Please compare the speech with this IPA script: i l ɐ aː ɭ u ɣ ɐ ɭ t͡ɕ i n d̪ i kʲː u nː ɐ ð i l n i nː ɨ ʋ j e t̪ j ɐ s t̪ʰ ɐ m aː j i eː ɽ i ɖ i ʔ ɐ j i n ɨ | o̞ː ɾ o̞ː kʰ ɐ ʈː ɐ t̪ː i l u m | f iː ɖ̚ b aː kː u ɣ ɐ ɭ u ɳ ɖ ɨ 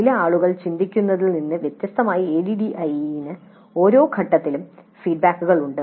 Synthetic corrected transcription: i l ɐ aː ɭ u ɣ ɐ ɭ t͡ɕ i n d̪ i kʲː u nː ɐ ð i l n i nː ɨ ʋ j e t̪ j ɐ s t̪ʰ ɐ m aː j i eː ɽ i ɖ i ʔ ɐ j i n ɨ | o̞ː ɾ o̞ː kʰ ɐ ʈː ɐ t̪ː i l u m | f iː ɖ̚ b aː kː u ɣ ɐ ɭ u ɳ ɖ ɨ

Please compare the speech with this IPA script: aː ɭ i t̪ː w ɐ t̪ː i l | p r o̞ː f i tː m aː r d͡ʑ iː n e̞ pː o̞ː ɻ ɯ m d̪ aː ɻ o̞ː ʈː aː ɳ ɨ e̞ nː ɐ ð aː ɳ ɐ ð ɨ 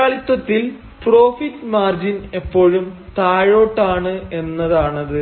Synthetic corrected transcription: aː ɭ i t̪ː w ɐ t̪ː i l | p r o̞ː f i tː m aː r d͡ʑ i n e̞ pː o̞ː ɻ u m t̪ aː ɻ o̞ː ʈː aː ɳ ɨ e̞ nː ɐ ð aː ɳ ɐ ð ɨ

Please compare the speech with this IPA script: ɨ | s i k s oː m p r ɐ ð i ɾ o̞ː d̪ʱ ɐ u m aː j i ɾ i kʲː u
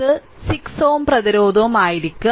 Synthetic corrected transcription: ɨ | s i k s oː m p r ɐ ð i ɾ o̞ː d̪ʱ ɐ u m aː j i ɾ i kʲː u

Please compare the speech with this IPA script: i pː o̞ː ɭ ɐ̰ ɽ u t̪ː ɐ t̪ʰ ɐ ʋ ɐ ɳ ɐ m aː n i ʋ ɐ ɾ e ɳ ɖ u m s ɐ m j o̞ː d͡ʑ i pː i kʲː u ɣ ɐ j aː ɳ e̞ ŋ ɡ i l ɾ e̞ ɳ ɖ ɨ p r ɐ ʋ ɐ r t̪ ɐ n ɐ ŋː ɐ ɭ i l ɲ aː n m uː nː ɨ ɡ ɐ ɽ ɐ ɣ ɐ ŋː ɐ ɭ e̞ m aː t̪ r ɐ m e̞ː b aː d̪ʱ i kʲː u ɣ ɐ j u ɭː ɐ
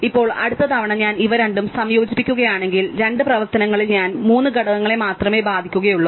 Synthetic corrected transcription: i pː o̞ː ɭ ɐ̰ ɽ u t̪ː ɐ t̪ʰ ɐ ʋ ɐ ɳ ɐ ɲ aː n i ʋ ɐ ɾ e ɳ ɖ u m s ɐ m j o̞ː d͡ʑ i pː i kʲː u ɣ ɐ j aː ɳ e̞ ŋ ɡ i l ɾ e̞ ɳ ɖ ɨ p r ɐ ʋ ɐ r t̪ ɐ n ɐ ŋː ɐ ɭ i l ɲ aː n m uː nː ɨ ɡ ɐ ɽ ɐ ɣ ɐ ŋː ɐ ɭ e̞ m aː t̪ r ɐ m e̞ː b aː d̪ʱ i kʲː u ɣ ɐ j u ɭː ɐ

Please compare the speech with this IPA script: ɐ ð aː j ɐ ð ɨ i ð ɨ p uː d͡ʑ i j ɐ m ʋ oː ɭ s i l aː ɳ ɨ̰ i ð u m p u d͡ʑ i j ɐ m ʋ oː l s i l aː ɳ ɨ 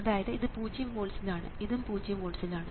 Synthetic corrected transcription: ɐ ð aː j ɐ ð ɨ i ð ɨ p uː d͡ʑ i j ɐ m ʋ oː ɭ s i l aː ɳ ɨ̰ i ð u m p uː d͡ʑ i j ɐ m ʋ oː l s i l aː ɳ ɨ

